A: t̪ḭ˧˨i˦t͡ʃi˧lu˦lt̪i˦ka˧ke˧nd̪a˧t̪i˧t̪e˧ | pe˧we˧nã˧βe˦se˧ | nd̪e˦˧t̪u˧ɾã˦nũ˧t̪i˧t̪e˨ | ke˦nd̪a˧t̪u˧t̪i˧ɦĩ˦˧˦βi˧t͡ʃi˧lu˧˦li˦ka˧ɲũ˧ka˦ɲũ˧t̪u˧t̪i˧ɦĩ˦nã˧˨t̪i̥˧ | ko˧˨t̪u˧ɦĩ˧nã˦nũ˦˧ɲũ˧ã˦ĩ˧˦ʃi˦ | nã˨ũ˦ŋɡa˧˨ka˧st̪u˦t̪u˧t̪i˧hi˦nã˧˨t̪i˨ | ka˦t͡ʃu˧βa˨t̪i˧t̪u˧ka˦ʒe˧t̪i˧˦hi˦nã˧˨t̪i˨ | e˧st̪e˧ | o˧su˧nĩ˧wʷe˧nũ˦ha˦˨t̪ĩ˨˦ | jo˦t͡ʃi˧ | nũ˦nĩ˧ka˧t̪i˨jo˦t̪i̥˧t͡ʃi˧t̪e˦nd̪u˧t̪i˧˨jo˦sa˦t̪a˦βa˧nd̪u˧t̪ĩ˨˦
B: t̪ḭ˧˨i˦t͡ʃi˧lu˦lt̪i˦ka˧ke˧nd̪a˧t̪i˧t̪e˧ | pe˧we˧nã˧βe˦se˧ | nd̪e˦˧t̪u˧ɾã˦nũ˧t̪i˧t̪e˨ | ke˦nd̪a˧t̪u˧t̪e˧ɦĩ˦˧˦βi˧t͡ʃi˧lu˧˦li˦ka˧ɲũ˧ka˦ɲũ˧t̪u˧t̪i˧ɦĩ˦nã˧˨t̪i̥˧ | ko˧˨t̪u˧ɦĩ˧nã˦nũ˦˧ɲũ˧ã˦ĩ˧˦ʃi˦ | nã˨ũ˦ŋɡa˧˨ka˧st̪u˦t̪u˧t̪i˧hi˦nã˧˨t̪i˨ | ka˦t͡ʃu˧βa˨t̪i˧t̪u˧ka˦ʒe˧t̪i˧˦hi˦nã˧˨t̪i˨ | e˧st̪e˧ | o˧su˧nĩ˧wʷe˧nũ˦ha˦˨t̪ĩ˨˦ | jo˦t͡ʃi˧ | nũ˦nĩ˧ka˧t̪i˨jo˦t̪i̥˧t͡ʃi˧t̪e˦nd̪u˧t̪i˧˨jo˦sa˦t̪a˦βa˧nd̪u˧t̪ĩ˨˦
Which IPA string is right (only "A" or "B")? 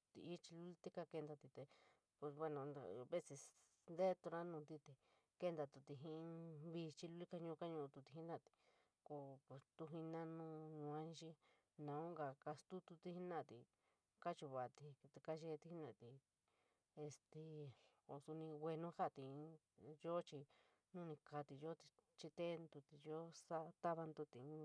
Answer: A